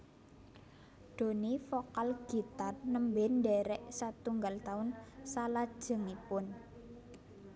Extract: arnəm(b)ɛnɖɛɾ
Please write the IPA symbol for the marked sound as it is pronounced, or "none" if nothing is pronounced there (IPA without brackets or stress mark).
b